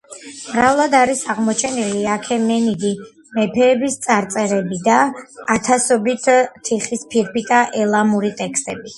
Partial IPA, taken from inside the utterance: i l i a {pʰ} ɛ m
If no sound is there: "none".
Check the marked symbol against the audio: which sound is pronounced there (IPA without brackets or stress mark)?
kʰ